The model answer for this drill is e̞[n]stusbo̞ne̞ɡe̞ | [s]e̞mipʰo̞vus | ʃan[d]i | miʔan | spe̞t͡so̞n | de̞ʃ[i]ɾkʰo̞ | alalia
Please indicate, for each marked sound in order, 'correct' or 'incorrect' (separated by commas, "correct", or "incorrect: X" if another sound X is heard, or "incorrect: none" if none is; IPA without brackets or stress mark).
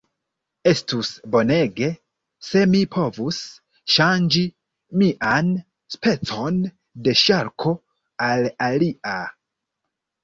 incorrect: none, correct, incorrect: d͡ʒ, incorrect: a